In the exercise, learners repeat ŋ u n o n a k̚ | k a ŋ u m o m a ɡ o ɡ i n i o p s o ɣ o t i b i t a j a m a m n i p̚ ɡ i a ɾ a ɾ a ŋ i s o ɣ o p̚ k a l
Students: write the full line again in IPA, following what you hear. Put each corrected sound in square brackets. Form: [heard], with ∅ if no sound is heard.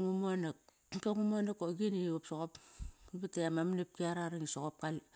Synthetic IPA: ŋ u [m] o n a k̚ | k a ŋ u m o [n] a [k] o ɡ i n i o p s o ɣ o [p] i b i t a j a m a m n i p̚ [k] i a ɾ a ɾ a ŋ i s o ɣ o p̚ k a l